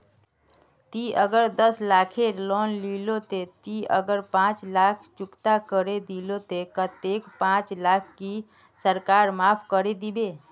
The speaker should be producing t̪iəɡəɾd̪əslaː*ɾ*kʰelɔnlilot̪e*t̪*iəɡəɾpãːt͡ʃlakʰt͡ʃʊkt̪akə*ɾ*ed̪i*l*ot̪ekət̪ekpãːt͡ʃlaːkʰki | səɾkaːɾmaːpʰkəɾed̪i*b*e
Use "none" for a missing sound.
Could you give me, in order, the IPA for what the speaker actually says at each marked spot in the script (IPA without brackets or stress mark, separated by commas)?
none, t̪, ɾ, l, b